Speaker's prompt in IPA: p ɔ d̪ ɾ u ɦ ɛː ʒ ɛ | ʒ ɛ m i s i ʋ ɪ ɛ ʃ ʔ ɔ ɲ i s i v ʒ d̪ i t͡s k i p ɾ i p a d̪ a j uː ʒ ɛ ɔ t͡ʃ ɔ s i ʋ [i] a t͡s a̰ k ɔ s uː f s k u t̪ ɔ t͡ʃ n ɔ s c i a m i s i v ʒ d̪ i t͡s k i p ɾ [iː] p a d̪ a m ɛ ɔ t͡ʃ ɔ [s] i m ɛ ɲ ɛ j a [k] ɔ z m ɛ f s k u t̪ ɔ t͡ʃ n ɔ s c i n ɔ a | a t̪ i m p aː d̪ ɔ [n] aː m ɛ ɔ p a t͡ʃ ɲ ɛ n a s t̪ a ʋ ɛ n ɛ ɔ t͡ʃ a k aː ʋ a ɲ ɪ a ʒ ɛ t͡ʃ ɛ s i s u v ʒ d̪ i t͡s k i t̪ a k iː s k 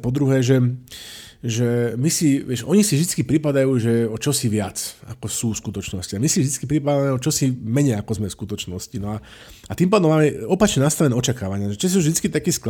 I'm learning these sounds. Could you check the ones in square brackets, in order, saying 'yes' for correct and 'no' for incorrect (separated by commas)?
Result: no, no, yes, yes, no